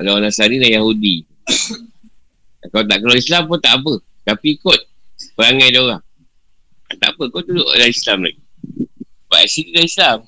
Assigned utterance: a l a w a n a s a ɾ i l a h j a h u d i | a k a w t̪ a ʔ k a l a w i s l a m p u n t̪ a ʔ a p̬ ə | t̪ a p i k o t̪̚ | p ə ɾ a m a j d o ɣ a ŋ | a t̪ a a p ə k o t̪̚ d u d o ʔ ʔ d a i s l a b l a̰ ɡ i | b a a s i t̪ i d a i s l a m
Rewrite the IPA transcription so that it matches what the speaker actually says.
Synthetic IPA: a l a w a n a s a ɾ i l a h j a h u d i | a k a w t̪ a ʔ k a l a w i s l a m p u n t̪ a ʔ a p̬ ə | t̪ a p i k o t̪̚ | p ə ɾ a ŋ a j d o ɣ a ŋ | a t̪ a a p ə k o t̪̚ d u d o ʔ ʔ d a i s l a m l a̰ ɡ i | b a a s i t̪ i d a i s l a m